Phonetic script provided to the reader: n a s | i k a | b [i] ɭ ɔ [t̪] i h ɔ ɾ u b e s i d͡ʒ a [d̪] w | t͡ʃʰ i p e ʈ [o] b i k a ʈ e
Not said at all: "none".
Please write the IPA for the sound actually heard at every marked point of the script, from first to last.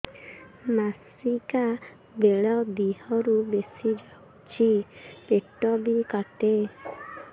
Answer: e, d̪, none, ɔ

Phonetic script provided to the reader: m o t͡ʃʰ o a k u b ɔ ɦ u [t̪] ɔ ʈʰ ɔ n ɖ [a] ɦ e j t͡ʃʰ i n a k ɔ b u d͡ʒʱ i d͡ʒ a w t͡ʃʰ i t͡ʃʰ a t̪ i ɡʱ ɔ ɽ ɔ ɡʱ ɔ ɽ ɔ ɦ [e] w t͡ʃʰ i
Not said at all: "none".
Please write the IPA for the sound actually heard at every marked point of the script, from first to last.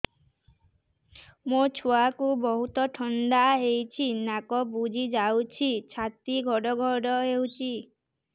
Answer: t̪, a, e

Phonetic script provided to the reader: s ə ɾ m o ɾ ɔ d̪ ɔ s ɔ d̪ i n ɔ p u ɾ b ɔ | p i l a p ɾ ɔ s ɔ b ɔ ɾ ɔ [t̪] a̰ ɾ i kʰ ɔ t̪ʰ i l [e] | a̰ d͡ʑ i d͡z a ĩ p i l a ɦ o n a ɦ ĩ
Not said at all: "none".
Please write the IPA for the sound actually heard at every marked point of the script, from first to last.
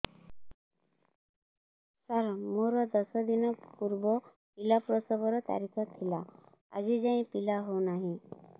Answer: t̪, a

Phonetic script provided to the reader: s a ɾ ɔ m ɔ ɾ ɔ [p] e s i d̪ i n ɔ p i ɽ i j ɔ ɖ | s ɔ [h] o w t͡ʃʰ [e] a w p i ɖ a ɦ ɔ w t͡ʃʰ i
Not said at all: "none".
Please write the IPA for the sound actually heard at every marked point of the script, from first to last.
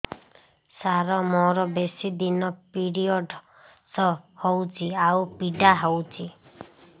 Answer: b, h, i

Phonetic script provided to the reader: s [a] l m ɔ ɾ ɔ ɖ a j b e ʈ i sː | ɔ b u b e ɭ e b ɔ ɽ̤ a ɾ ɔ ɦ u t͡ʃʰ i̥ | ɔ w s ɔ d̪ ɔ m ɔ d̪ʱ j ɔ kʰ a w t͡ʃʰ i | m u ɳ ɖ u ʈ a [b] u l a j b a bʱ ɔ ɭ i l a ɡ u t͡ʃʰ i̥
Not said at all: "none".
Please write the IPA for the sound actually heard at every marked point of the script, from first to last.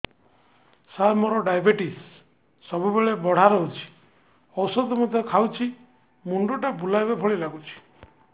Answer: a, b

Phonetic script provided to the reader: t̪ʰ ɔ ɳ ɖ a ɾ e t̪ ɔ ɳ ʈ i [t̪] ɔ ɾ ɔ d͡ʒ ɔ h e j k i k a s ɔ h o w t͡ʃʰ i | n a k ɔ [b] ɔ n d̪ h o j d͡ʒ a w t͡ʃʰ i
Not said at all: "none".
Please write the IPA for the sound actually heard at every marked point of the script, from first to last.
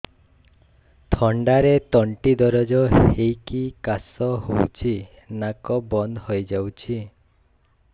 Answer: d̪, b

